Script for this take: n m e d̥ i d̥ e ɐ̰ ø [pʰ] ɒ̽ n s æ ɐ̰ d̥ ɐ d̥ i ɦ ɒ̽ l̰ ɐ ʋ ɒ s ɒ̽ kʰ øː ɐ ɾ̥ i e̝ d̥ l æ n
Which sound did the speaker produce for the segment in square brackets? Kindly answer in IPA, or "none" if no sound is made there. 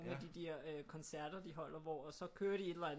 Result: kʰ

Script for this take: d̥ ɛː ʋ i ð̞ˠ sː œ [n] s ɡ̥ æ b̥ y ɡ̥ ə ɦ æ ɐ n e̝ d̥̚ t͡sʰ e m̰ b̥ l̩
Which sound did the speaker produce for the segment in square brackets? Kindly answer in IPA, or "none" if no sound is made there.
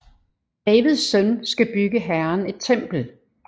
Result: n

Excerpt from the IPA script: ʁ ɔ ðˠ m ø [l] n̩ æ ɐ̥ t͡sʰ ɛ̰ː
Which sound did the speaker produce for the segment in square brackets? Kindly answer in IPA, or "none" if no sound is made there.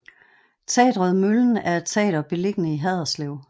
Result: l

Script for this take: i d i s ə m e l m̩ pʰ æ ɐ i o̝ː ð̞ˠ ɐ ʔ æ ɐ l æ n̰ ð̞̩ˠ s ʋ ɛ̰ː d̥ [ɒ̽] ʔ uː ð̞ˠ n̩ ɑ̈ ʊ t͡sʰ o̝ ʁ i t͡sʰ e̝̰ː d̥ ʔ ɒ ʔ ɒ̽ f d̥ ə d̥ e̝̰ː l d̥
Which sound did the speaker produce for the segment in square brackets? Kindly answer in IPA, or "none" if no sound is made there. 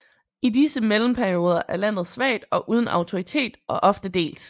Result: ɒ̽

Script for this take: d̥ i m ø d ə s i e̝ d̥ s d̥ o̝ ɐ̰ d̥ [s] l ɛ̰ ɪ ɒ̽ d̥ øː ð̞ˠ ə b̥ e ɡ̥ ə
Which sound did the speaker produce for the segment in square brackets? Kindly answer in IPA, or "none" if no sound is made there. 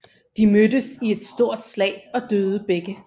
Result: s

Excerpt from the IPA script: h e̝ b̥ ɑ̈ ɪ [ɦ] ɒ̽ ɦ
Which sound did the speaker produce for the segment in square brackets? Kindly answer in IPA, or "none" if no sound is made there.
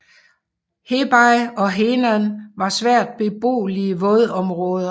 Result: none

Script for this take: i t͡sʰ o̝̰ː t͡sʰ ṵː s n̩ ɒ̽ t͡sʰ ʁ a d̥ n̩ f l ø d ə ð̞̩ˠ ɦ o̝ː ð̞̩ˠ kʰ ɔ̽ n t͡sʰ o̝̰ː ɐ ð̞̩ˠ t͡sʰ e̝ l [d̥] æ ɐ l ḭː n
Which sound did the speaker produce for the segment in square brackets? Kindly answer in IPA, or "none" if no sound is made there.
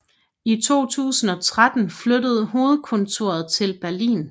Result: b̥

